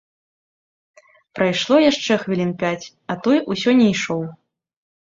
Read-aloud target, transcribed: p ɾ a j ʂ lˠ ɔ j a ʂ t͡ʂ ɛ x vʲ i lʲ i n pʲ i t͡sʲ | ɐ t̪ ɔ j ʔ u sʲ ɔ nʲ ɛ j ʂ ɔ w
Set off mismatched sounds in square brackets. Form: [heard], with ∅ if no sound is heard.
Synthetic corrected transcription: p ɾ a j ʂ lˠ ɔ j a ʂ t͡ʂ ɛ x vʲ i lʲ i n pʲ [a] t͡sʲ | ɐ t̪ ɔ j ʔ u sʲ ɔ nʲ ɛ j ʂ ɔ w